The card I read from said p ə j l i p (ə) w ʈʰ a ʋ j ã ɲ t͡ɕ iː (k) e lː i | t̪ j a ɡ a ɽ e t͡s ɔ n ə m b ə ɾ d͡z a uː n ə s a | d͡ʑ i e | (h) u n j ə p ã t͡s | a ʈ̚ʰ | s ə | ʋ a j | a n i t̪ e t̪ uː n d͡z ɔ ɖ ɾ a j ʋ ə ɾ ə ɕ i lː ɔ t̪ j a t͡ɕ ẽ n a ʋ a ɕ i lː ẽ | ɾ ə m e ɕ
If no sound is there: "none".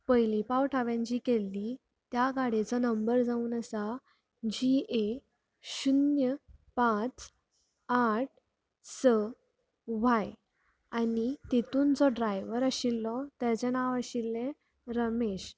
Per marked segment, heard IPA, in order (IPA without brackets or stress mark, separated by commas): a, k, ɕ